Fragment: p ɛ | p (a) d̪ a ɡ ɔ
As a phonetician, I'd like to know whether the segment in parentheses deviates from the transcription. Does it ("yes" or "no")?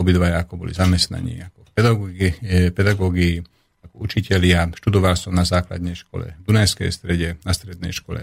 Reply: yes